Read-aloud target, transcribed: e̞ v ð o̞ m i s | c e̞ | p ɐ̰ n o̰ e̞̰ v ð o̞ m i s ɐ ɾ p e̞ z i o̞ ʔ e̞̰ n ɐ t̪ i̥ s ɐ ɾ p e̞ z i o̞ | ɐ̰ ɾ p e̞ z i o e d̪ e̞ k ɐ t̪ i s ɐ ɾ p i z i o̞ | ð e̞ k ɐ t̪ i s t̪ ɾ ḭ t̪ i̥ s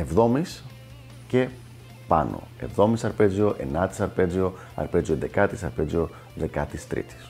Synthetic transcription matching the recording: e̞ v ð o̞ m i s | c e̞ | p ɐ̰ n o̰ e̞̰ v ð o̞ m i s ɐ ɾ p e̞ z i o̞ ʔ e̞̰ n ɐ t̪ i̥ s ɐ ɾ p e̞ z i o̞ | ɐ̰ ɾ p e̞ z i o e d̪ e̞ k ɐ t̪ i s ɐ ɾ p e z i o̞ | ð e̞ k ɐ t̪ i s t̪ ɾ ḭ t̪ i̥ s